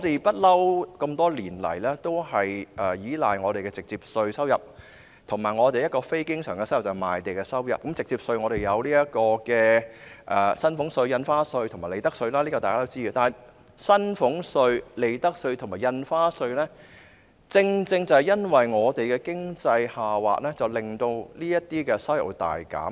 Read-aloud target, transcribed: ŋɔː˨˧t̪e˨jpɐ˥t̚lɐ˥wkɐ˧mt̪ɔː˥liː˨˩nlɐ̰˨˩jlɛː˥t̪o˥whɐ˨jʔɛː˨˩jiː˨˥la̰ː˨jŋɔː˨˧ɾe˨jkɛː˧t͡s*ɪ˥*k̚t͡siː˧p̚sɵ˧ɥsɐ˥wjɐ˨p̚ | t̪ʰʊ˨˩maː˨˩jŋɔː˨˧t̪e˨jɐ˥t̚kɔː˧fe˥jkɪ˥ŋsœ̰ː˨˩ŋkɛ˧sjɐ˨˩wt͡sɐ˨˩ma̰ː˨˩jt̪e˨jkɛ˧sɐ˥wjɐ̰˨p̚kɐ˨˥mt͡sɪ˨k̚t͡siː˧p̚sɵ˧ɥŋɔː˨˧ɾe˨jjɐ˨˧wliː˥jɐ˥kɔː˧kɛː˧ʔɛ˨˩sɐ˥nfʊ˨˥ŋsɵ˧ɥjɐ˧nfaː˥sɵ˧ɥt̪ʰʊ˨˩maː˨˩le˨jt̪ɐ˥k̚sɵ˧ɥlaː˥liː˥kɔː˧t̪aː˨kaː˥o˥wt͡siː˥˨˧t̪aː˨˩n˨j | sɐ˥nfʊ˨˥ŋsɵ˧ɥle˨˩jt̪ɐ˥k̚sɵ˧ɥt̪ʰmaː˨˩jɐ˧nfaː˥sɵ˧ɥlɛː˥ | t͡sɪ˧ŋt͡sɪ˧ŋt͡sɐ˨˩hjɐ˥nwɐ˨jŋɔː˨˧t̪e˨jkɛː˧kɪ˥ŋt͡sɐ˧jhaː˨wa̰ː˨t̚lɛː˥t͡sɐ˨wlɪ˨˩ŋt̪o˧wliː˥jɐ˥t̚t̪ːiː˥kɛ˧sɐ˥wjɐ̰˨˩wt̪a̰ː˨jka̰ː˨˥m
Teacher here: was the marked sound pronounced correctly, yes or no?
no